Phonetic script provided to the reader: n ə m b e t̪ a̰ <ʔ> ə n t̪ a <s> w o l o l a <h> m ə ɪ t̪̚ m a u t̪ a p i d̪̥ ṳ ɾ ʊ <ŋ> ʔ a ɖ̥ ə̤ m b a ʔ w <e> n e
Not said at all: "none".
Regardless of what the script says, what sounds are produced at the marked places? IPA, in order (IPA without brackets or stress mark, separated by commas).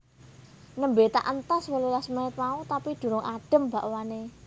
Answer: ʔ, s, s, ŋ, a